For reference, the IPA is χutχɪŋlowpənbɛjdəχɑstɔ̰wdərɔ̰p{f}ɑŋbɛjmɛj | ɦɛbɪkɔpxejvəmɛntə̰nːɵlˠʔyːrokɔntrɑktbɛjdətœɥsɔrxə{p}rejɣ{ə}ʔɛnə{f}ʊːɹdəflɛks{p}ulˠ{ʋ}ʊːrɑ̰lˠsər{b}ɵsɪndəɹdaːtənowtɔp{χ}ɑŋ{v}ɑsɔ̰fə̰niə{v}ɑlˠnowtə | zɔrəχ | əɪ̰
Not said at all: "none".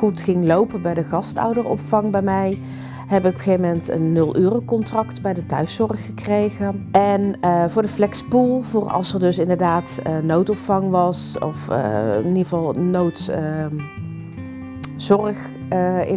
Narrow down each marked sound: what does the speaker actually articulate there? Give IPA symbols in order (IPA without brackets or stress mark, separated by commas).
f, k, ə, v, p, v, d, f, ʋ, v